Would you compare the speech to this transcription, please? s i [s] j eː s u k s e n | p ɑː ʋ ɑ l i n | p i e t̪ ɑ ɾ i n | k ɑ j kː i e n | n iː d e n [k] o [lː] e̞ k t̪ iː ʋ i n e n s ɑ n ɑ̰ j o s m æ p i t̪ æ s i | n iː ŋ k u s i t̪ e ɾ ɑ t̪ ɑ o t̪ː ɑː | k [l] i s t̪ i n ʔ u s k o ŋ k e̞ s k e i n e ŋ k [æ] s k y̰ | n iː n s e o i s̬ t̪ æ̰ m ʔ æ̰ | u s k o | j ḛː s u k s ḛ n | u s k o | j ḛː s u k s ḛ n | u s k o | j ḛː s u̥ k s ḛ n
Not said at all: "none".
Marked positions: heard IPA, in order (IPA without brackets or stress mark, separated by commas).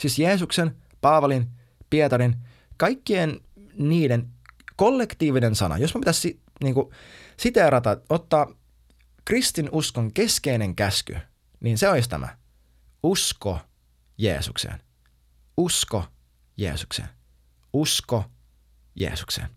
s, k, lː, r, æ